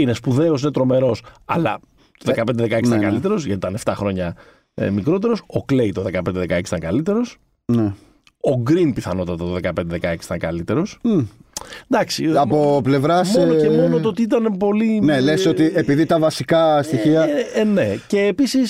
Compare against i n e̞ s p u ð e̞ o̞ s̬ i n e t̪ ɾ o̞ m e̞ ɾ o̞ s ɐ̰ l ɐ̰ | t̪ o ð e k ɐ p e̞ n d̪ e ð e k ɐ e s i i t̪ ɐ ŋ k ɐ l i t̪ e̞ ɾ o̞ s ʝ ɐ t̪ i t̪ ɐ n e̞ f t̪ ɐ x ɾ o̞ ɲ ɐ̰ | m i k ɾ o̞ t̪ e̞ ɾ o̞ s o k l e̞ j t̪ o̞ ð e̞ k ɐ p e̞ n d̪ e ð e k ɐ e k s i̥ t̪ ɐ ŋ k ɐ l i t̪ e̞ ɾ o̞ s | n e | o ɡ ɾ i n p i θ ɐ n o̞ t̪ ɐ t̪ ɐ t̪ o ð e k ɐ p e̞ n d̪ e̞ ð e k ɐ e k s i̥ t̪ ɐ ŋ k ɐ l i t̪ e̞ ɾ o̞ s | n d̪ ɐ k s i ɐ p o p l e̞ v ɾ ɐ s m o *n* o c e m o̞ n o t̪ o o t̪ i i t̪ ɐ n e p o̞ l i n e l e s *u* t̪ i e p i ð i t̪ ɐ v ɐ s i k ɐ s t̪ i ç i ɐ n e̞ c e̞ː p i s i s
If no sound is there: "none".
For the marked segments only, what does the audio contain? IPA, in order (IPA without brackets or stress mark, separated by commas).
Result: n, o